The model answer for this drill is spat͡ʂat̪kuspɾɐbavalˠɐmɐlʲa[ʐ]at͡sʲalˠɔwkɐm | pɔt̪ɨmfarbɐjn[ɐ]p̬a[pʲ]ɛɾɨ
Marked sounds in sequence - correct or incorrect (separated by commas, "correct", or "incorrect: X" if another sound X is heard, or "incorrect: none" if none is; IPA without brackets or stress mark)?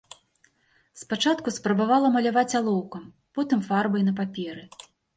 incorrect: v, correct, correct